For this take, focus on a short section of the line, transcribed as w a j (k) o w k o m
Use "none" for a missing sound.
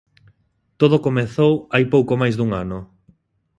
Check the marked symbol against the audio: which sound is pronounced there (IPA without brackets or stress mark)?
p